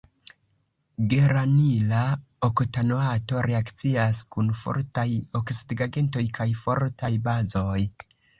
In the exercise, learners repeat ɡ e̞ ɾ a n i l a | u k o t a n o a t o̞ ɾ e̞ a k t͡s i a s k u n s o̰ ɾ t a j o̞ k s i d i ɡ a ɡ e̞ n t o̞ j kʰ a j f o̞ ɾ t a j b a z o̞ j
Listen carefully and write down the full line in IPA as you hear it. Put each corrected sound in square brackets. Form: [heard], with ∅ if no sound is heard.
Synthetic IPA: ɡ e̞ ɾ a n i l a | [o] k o t a n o a t o̞ ɾ e̞ a k t͡s i a s k u n [f] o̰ ɾ t a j o̞ k s i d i ɡ a ɡ e̞ n t o̞ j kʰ a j f o̞ ɾ t a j b a z o̞ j